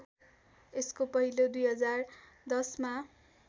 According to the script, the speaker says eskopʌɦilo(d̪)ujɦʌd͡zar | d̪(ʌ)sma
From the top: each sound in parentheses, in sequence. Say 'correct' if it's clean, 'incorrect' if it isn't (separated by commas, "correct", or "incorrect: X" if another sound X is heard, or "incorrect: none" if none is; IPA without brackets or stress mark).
correct, correct